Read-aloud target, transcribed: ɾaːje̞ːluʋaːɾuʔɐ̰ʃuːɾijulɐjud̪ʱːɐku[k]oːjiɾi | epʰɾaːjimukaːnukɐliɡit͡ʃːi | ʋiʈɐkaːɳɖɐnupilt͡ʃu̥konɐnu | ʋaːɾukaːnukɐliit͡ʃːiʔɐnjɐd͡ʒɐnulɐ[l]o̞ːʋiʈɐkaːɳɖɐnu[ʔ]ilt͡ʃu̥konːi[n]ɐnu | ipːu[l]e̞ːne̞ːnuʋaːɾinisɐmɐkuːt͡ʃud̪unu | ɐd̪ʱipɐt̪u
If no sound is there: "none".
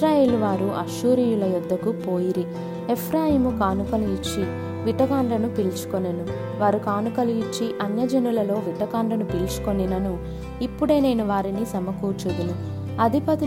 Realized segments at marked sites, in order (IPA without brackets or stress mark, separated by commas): p, l, p, n, ɽ